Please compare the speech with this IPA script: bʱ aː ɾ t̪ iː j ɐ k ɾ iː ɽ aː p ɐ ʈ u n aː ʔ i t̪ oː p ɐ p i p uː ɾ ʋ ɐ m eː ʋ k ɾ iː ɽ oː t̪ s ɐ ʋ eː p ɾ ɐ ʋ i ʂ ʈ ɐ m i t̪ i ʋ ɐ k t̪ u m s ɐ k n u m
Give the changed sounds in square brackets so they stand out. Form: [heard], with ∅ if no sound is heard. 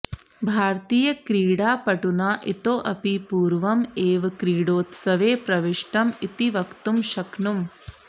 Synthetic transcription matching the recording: bʱ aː ɾ t̪ iː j ɐ k ɾ iː ɽ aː p ɐ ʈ u n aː ʔ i t̪ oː [ʔ] ɐ p i p uː ɾ ʋ ɐ m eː ʋ k ɾ iː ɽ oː t̪ s ɐ ʋ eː p ɾ ɐ ʋ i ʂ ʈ ɐ m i t̪ i ʋ ɐ k t̪ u m [ʃ] ɐ k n u m